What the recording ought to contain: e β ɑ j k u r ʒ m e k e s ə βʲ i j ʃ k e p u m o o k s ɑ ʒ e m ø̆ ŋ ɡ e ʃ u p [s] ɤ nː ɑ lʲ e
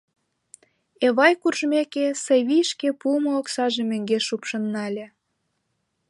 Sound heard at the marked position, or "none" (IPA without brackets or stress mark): ʃ